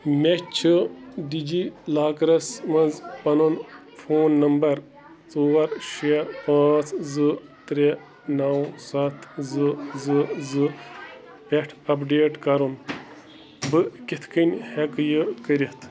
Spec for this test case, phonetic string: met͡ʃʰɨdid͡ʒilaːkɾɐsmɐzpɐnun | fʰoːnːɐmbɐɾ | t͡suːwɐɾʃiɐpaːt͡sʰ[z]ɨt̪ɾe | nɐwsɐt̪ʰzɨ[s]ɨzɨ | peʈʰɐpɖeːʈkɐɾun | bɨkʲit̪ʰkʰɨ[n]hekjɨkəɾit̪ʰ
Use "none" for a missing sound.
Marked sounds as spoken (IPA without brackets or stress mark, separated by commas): z, z, n